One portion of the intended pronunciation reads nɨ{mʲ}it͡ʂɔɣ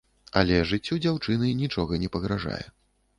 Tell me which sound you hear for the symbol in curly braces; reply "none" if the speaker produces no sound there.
nʲ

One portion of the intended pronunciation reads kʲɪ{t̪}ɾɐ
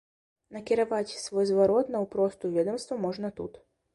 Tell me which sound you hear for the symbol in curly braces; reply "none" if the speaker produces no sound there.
none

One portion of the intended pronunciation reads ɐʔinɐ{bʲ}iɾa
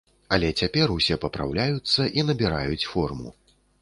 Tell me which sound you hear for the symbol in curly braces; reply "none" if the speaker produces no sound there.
bʲ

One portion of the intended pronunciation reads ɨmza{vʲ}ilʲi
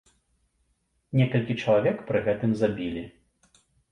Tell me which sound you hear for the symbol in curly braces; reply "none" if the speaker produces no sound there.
bʲ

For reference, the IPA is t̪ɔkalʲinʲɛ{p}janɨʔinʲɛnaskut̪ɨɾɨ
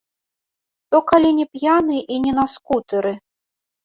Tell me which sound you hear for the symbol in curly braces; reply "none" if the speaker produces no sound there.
p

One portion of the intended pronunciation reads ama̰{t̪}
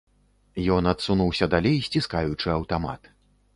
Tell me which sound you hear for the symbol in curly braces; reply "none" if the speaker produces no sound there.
t̪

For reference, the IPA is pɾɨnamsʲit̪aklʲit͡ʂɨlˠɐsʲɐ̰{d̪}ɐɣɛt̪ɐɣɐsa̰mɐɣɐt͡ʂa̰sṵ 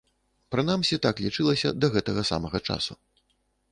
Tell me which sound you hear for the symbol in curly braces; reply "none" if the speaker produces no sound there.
d̪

